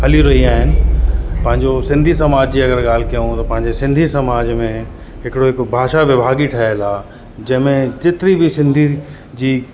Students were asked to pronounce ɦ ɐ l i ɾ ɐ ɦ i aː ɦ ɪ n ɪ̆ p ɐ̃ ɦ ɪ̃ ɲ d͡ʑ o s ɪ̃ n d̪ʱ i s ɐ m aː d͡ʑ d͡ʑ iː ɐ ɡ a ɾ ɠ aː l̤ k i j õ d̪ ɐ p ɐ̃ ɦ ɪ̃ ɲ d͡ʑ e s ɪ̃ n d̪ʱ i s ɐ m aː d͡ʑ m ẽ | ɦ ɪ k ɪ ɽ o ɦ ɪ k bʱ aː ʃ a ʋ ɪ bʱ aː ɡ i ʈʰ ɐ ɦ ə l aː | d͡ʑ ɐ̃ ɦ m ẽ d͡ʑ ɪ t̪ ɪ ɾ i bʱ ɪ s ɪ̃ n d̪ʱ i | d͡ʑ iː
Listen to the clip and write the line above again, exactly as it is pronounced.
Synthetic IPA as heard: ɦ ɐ l i ɾ ɐ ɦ i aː ɦ ɪ n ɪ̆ p ɐ̃ ɦ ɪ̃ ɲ d͡ʑ o s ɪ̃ n d̪ʱ i s ɐ m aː d͡ʑ d͡ʑ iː ɐ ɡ ə ɾ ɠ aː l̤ k i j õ t̪ ɐ p ɐ̃ ɦ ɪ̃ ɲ d͡ʑ e s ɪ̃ n d̪ʱ i s ɐ m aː d͡ʑ m ẽ | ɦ ɪ k ɪ ɽ o ɦ ɪ k bʱ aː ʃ a ʋ ɪ bʱ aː ɡ i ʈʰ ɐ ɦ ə l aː | d͡ʑ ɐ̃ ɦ m ẽ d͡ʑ ɪ t̪ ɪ ɾ i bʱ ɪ s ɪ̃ n d̪ʱ i | d͡ʑ iː